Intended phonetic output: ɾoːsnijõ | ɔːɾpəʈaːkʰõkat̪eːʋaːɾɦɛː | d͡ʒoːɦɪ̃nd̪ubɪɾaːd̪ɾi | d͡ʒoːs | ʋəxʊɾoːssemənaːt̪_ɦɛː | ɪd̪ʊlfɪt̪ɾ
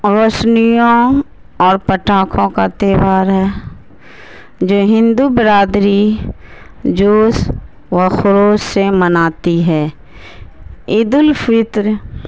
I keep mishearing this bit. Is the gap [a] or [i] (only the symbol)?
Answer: i